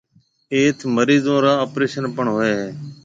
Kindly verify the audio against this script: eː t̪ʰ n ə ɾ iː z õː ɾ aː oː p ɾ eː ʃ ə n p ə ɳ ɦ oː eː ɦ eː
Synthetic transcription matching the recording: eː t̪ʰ m ə ɾ iː z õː ɾ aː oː p ɾ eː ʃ ə n p ə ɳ ɦ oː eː ɦ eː